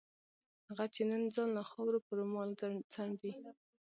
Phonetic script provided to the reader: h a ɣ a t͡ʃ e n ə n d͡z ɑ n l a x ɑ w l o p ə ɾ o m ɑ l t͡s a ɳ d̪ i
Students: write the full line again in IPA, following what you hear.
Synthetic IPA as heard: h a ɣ a t͡ʃ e n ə n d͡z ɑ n l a x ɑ w ɾ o p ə ɾ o m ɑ l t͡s a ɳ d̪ i